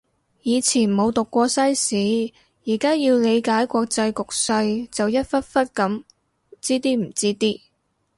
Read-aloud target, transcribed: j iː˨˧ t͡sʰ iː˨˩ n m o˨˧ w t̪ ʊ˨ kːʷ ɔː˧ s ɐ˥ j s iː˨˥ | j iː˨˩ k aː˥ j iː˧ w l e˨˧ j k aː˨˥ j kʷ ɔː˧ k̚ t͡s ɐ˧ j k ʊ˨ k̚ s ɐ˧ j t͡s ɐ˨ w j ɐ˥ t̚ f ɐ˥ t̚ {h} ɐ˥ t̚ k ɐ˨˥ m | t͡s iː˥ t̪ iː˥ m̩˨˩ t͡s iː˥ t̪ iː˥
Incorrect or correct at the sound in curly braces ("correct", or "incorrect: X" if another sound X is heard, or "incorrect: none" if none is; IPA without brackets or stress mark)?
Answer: incorrect: f